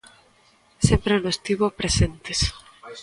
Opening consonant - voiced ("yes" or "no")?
no